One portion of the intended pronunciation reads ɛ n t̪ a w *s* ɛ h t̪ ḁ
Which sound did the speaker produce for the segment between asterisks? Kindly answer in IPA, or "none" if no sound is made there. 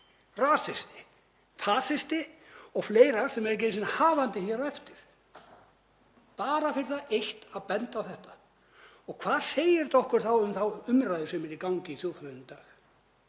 θ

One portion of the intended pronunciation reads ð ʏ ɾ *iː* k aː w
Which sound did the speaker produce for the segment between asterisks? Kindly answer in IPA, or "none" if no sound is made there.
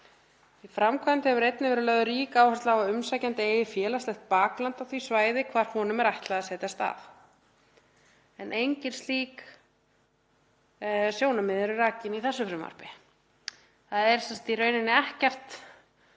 iː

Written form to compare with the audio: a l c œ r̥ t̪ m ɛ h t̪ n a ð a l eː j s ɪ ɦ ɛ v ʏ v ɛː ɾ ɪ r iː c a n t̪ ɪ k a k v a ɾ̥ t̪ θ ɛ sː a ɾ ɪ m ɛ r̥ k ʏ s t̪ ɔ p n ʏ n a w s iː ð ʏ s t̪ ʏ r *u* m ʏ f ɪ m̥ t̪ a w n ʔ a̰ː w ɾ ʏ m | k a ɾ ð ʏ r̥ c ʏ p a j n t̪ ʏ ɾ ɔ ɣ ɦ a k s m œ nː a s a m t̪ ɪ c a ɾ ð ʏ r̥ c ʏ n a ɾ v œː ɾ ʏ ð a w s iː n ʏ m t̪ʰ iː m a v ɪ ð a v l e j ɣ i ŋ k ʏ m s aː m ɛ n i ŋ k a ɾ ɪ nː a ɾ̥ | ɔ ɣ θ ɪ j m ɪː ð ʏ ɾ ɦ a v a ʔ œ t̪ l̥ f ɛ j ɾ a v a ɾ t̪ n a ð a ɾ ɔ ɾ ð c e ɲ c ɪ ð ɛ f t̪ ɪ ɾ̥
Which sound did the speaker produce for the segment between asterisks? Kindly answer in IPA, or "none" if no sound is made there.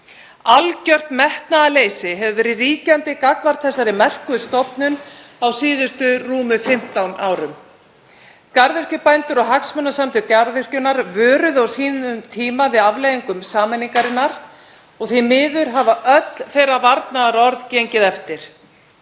uː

